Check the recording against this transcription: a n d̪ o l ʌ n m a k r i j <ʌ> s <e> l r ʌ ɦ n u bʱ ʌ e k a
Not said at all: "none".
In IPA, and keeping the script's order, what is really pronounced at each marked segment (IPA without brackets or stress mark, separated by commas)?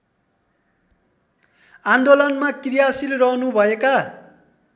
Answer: a, i